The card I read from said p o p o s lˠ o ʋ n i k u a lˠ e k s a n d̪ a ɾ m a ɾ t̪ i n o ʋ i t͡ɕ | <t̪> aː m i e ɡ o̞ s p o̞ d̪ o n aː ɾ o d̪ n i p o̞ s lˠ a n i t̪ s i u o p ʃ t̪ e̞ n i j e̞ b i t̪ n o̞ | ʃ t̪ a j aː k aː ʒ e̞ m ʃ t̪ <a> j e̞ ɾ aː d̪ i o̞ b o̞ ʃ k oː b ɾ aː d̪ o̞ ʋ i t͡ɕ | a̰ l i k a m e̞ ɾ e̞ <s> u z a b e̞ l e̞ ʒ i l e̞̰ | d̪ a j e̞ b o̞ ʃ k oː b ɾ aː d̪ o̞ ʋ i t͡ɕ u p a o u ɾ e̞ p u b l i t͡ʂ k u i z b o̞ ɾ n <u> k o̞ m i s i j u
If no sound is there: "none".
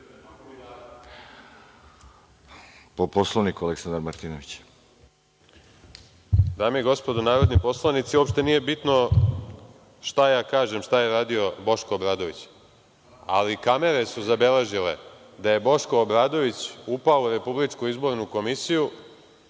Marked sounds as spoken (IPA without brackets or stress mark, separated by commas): d̪, a, s, u